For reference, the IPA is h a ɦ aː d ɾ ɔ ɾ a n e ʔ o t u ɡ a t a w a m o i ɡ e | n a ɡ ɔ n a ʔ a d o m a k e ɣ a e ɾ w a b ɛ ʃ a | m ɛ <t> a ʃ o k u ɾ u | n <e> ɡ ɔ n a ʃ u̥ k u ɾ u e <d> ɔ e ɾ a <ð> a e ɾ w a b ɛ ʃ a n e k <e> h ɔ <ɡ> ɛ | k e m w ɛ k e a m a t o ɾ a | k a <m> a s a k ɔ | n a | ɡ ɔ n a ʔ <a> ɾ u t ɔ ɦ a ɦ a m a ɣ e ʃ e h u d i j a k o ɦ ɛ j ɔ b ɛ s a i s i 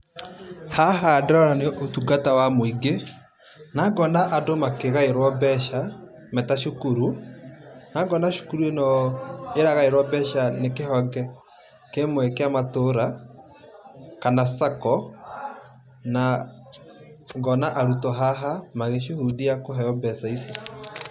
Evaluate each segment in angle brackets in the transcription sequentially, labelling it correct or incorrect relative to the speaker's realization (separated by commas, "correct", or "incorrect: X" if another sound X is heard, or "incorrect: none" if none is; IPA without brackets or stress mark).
correct, incorrect: a, incorrect: n, incorrect: ɣ, correct, correct, incorrect: n, correct